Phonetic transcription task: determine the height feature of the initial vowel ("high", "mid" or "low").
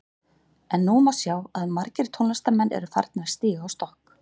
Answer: mid